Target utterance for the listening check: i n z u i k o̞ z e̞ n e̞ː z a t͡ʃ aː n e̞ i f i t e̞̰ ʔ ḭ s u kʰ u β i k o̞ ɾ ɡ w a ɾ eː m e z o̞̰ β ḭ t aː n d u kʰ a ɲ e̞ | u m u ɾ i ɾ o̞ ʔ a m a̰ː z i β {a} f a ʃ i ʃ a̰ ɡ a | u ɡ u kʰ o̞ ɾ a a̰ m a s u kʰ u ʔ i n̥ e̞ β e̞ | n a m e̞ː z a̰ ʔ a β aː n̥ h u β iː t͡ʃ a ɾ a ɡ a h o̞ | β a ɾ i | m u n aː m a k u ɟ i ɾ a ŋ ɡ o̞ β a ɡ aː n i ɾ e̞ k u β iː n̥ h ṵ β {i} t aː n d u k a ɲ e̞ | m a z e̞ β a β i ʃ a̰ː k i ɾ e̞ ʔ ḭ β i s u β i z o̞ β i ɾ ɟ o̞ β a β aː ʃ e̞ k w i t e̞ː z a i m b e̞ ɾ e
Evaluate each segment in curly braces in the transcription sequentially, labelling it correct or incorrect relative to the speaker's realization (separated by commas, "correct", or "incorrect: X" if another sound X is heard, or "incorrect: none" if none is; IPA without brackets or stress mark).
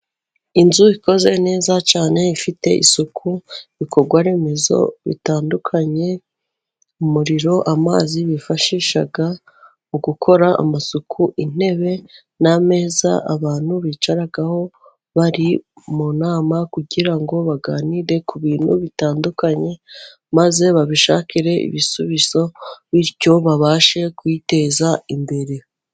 incorrect: i, correct